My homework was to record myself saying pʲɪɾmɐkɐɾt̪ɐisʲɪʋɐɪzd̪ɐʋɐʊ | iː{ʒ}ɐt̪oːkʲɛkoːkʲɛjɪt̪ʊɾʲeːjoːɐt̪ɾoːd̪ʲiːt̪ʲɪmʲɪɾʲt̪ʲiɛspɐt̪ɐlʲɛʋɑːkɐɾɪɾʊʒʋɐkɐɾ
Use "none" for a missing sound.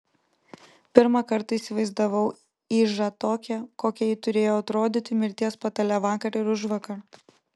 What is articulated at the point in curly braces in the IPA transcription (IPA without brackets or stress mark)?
ʒ